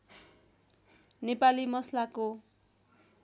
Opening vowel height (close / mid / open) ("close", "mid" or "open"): mid